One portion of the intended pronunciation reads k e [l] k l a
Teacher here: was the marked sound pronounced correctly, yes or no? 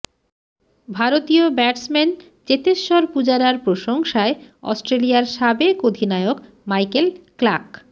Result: yes